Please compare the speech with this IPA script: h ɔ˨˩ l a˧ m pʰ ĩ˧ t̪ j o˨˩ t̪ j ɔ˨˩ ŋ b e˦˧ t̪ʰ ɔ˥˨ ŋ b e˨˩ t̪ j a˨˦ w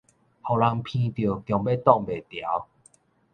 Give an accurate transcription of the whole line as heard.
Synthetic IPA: h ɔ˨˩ l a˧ ŋ pʰ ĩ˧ t̪ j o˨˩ t̪ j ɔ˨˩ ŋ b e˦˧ t̪ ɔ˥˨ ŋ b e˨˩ t̪ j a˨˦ w